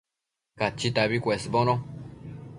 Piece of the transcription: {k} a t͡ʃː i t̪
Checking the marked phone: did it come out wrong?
no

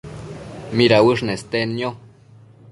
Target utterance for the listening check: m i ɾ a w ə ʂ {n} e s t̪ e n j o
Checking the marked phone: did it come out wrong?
no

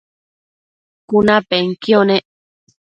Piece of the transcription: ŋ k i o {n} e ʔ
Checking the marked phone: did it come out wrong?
no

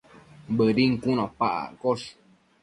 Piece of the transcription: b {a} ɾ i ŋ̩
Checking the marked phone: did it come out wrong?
yes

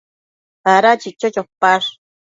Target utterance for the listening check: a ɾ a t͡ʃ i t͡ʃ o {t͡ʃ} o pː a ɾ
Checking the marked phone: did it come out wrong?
no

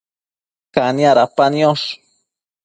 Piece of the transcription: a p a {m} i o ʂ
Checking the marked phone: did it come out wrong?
yes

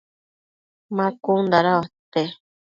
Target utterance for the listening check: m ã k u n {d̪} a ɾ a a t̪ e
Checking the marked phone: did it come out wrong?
no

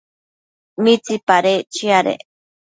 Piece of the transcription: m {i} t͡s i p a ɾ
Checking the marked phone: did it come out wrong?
no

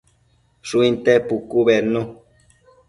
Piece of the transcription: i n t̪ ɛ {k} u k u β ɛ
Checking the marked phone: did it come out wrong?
yes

